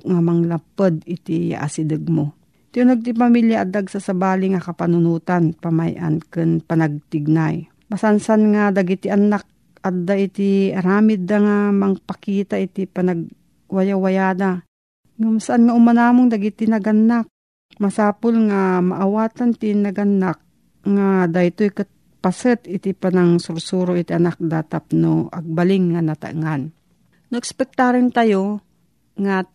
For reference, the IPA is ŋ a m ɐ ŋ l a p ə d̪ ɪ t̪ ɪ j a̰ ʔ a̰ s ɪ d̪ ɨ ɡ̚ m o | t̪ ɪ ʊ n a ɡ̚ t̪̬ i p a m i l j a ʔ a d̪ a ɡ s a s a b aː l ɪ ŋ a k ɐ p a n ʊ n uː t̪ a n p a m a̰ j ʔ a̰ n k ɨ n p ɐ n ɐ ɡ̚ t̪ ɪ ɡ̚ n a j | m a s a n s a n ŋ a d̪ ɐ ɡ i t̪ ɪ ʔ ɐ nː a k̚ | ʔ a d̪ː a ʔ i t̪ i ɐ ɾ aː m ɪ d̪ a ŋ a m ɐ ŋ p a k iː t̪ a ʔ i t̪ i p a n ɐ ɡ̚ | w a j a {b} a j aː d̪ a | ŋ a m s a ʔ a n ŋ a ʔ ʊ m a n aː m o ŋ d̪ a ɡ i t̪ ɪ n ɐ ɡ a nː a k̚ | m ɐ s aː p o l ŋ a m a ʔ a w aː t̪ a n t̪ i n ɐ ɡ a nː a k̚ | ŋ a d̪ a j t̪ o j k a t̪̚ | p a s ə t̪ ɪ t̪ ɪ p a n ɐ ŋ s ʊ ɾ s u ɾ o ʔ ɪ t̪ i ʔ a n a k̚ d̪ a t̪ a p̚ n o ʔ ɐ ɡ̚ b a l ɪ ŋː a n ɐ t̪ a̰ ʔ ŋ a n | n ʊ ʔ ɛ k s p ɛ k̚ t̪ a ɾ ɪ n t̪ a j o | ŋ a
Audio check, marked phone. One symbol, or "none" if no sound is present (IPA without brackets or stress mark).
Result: w